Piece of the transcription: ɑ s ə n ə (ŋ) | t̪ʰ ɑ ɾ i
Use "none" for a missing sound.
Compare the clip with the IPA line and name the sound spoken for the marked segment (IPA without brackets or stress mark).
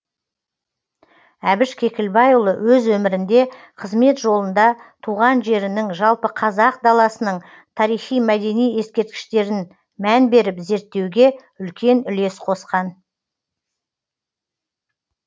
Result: ɴ